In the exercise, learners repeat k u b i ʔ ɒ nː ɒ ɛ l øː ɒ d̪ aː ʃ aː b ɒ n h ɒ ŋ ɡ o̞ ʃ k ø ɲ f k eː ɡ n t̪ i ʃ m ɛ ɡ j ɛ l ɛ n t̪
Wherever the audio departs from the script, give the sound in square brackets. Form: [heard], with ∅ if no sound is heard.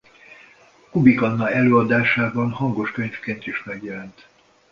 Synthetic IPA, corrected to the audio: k u b i [k] ɒ nː ɒ ɛ l øː ɒ d̪ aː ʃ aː b ɒ n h ɒ ŋ ɡ o̞ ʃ k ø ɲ f k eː [∅] n t̪ i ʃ m ɛ ɡ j ɛ l ɛ n t̪

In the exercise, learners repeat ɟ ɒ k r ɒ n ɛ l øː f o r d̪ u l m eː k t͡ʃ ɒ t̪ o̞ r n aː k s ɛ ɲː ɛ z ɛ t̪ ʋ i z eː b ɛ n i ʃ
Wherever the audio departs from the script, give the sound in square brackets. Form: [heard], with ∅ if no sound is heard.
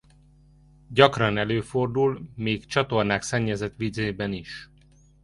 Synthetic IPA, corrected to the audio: ɟ ɒ k r ɒ n ɛ l øː f o r d̪ u l m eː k t͡ʃ ɒ t̪ o̞ r n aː k s ɛ ɲː ɛ z ɛ t̪ ʋ i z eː b ɛ n i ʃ

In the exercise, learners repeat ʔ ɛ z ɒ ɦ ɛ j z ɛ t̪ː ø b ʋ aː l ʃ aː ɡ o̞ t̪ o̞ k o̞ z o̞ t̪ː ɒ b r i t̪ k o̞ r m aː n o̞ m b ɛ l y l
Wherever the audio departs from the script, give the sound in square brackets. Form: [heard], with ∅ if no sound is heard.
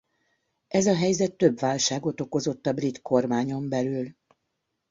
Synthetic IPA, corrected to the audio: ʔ ɛ z ɒ ɦ ɛ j z ɛ t̪ː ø b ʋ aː l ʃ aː ɡ o̞ t̪ o̞ k o̞ z o̞ t̪ː ɒ b r i t̪ k o̞ r m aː [ɲ] o̞ m b ɛ l y l

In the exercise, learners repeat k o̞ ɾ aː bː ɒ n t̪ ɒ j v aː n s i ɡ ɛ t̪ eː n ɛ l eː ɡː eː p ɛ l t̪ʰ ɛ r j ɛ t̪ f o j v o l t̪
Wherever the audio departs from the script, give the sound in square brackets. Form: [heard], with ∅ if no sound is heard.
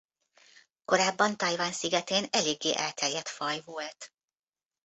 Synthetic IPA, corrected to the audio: k o̞ ɾ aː bː ɒ n t̪ ɒ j v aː n s i ɡ ɛ t̪ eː n ɛ l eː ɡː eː [ʔ] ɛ l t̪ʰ ɛ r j ɛ t̪ f [ɒ] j v o l t̪

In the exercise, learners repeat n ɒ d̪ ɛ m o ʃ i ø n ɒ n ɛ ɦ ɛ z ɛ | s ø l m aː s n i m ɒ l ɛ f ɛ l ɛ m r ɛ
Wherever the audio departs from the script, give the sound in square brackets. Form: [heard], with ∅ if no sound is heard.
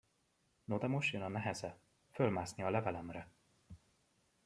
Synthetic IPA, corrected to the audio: n [o] d̪ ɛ m o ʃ [j] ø n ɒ n ɛ ɦ ɛ z ɛ | [f] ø l m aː s n i [∅] ɒ l ɛ [v] ɛ l ɛ m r ɛ

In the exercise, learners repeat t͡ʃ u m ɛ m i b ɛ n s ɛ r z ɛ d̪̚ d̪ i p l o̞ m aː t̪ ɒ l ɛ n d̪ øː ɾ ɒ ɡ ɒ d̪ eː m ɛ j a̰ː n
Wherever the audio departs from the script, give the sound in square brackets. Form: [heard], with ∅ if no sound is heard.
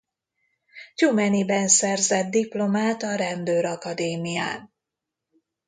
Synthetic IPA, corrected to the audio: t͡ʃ u m ɛ [n] i b ɛ n s ɛ r z ɛ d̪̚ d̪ i p l o̞ m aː t̪ ɒ [ɾ] ɛ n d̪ øː ɾ ɒ [k] ɒ d̪ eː m [i] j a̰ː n

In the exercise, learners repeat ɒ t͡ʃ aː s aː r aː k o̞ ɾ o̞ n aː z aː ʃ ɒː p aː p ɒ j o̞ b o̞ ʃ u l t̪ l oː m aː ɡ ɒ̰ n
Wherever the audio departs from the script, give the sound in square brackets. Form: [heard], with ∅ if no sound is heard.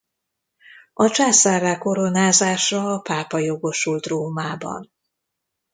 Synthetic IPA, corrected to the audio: ɒ t͡ʃ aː s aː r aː k o̞ ɾ o̞ n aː z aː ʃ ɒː p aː p ɒ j o̞ [ɡ] o̞ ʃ u l t̪ [r] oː m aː [b] ɒ̰ n

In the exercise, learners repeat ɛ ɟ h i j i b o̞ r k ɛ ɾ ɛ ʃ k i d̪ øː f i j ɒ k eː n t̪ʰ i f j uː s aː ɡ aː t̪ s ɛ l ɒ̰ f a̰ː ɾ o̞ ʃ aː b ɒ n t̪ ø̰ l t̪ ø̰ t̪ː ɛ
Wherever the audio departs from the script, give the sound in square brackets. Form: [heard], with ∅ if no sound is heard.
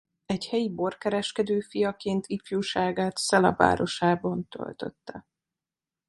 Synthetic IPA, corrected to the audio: ɛ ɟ h [ɛ] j i b o̞ r k ɛ ɾ ɛ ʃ k [ɛ] d̪ øː f i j ɒ k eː n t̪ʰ i f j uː [ʃ] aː ɡ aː t̪ s ɛ l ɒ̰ [v] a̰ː ɾ o̞ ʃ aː b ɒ n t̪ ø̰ l t̪ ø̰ t̪ː ɛ

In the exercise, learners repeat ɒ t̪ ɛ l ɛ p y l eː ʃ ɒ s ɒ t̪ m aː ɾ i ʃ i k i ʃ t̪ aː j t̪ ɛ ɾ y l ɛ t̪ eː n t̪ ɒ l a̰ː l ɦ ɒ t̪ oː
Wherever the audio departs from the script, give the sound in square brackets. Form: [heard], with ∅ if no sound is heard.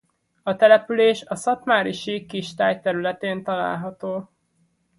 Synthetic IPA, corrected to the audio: ɒ t̪ ɛ l ɛ p y l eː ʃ ɒ s ɒ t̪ m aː ɾ i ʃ i k i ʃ t̪ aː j t̪ ɛ ɾ y l ɛ t̪ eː n t̪ ɒ l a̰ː l ɦ ɒ t̪ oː

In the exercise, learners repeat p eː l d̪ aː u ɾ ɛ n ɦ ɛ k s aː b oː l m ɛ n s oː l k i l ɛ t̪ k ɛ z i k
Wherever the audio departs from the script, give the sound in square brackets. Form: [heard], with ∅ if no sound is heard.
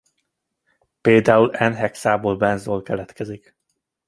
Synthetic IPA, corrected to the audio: p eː l d̪ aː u [l] ɛ n ɦ ɛ k s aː b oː l [b] ɛ n [z] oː l k [ɛ] l ɛ t̪ k ɛ z i k

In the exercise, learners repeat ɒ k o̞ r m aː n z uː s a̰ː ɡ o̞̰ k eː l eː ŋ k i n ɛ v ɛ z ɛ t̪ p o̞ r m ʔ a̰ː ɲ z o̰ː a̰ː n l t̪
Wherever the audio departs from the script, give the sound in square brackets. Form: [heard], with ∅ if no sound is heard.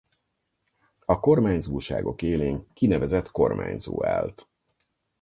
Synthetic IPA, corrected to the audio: ɒ k o̞ r m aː [ɲ] z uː [ʃ] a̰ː ɡ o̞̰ k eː l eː ŋ k i n ɛ v ɛ z ɛ t̪ [k] o̞ r m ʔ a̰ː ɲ z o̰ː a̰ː [∅] l t̪

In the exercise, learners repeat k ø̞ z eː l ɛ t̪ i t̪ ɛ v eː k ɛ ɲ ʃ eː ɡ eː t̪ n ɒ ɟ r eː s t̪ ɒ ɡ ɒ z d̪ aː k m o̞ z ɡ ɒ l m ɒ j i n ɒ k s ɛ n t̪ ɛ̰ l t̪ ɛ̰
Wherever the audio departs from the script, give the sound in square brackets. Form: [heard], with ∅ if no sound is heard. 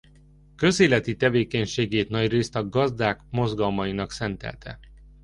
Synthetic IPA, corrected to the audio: k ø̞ z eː l ɛ t̪ i t̪ ɛ v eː k ɛ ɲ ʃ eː ɡ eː t̪ n ɒ ɟ r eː s t̪ ɒ ɡ ɒ z d̪ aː k m o̞ z ɡ ɒ l m ɒ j i n ɒ k s ɛ n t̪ ɛ̰ l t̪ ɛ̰

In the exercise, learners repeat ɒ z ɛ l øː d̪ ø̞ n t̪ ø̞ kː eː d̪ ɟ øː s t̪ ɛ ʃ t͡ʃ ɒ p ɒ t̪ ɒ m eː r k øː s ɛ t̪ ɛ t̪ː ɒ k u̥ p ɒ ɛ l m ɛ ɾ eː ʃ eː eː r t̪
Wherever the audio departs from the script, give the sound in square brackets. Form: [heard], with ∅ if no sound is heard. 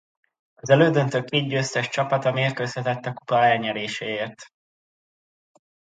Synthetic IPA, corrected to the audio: ɒ z ɛ l øː d̪ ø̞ n t̪ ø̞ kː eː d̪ ɟ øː s t̪ ɛ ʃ t͡ʃ ɒ p ɒ t̪ ɒ m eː r k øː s ɛ t̪ ɛ t̪ː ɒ k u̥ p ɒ ɛ l [ɲ] ɛ ɾ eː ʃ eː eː r t̪

